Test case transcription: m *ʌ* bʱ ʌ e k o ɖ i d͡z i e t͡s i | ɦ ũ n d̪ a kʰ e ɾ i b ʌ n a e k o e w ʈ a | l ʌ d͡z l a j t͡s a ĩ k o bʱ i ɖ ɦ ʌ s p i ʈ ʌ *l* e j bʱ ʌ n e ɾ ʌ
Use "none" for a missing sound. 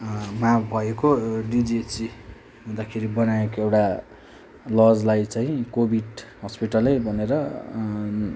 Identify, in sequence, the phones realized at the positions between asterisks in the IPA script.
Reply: a, l

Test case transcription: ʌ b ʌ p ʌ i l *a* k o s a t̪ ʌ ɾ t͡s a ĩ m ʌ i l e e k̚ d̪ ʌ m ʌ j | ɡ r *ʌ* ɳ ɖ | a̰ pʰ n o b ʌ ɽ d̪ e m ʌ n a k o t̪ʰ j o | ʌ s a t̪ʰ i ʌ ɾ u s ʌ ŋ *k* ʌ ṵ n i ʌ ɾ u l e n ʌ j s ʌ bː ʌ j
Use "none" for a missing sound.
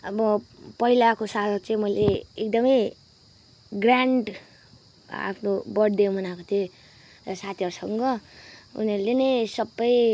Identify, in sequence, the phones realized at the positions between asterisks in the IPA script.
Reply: a, a, ɡ

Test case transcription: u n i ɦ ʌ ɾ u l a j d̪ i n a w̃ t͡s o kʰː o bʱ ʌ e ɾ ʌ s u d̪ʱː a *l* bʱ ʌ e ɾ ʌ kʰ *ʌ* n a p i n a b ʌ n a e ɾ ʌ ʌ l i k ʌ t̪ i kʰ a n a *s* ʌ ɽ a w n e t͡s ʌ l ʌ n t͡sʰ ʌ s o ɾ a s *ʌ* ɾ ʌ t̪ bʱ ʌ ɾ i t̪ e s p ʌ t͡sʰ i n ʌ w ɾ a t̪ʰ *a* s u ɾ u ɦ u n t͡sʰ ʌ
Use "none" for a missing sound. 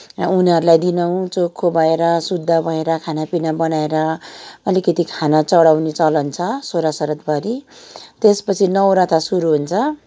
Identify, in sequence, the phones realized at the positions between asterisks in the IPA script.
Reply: none, a, t͡s, ʌ, a

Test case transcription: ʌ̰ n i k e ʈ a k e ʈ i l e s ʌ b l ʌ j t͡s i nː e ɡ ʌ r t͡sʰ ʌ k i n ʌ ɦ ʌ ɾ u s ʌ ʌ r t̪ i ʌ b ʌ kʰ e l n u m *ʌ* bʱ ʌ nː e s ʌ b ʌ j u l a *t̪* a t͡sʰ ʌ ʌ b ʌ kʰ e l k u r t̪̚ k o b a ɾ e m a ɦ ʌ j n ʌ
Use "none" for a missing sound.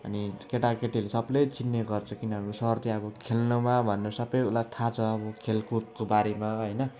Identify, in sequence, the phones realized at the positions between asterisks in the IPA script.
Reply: a, t̪ʰ

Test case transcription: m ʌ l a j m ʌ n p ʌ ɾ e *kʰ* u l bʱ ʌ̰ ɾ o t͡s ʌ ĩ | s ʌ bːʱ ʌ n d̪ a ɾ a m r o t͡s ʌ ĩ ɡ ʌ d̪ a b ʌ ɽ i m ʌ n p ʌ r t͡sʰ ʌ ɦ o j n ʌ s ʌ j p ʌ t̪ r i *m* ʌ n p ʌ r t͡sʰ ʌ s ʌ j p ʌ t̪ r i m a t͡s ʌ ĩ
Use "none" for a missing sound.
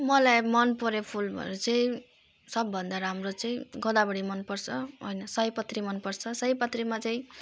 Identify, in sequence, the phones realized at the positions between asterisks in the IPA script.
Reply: pʰ, m

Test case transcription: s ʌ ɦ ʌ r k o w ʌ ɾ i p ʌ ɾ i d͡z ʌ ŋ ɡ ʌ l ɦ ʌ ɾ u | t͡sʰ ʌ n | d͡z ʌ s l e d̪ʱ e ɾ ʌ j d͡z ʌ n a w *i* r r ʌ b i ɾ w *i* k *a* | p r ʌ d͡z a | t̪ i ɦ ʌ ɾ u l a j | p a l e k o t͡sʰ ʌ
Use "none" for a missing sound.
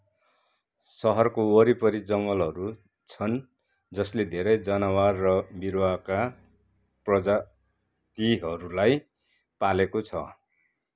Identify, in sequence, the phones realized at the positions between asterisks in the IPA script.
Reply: a, a, a

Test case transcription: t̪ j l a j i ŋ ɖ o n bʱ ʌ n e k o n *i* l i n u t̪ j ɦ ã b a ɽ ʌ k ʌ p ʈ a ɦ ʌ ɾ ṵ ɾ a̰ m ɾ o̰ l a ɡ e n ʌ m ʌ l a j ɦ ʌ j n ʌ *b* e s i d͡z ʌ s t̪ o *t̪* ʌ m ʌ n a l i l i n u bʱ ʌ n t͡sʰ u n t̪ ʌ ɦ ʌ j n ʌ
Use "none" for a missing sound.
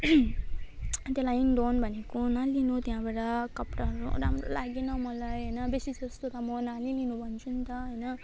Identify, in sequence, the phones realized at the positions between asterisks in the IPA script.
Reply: a, b, t̪

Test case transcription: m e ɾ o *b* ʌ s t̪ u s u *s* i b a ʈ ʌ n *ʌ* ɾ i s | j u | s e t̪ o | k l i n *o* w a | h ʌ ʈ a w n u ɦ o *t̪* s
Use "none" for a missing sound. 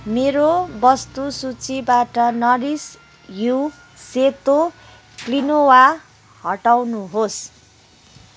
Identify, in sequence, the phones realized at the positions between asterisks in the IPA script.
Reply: b, t͡s, ʌ, o, none

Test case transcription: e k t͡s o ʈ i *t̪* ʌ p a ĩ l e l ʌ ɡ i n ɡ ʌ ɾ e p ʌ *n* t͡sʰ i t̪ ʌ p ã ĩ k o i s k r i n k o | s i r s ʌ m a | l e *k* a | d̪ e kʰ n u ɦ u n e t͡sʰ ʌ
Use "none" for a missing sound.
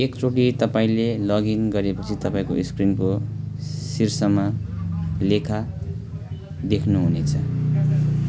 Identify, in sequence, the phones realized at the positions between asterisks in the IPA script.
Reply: t̪, none, kʰ

